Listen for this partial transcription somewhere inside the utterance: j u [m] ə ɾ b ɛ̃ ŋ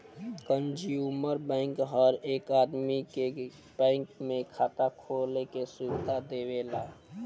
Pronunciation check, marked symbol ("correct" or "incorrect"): correct